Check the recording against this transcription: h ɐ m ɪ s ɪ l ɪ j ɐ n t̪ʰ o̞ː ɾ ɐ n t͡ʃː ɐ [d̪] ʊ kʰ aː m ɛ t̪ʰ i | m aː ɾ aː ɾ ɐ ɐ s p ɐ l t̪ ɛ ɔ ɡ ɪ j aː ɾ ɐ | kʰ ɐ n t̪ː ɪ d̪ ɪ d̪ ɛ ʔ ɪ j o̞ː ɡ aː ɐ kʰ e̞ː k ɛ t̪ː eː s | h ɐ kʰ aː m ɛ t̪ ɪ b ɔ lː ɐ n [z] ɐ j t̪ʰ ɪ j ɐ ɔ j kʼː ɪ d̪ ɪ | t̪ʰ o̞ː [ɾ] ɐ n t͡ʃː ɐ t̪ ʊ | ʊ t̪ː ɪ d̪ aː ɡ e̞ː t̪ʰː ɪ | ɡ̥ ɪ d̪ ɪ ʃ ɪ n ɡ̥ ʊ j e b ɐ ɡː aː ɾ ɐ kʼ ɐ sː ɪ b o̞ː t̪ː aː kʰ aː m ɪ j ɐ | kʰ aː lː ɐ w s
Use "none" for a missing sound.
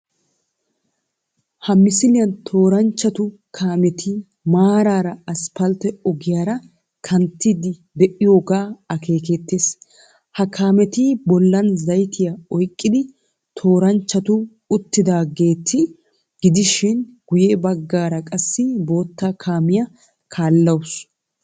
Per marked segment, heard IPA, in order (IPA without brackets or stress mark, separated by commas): t̪, z, ɾ